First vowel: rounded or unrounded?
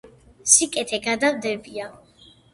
unrounded